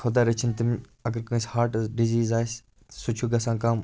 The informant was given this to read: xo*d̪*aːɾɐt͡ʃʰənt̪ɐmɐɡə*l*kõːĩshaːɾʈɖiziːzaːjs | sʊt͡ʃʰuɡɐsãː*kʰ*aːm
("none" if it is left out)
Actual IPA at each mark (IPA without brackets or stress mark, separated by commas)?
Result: d̪, ɾ, k